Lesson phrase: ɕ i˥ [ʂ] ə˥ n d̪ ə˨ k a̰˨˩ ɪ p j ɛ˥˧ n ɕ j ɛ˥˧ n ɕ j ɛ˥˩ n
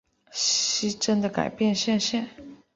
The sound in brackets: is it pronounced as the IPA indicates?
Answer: no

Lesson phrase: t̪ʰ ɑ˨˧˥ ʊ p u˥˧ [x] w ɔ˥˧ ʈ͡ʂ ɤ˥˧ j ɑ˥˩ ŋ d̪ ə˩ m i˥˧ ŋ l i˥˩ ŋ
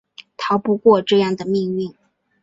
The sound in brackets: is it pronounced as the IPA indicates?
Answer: no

